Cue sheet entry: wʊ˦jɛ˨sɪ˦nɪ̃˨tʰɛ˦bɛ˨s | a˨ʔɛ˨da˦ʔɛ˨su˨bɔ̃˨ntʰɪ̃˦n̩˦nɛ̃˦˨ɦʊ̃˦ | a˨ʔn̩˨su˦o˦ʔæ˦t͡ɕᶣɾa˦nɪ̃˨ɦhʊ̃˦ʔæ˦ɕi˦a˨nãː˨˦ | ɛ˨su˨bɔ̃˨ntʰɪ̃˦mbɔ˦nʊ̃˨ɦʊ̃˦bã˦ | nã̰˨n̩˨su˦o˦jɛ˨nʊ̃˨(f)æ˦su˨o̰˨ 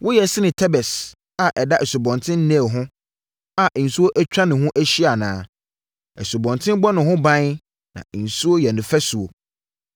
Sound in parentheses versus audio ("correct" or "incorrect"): correct